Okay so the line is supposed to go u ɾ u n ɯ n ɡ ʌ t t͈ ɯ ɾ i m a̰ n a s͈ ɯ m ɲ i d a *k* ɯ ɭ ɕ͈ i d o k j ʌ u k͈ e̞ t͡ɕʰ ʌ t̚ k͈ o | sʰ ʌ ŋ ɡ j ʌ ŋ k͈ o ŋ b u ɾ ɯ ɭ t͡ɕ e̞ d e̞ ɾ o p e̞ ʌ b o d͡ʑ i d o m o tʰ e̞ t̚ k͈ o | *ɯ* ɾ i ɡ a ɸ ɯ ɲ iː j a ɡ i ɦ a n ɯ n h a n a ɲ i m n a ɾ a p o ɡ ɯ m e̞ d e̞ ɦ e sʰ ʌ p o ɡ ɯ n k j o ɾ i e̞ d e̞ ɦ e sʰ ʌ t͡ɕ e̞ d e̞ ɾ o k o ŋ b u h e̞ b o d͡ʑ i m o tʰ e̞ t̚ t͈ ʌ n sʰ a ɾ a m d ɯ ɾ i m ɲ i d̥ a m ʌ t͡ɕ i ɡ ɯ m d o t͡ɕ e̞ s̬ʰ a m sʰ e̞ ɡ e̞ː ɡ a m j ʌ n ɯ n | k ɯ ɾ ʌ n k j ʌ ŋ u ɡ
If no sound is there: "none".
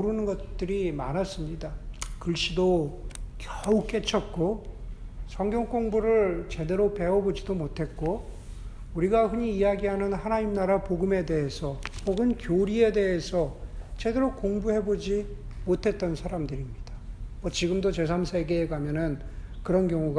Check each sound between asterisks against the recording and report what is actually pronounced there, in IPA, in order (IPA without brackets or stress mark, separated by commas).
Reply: k, u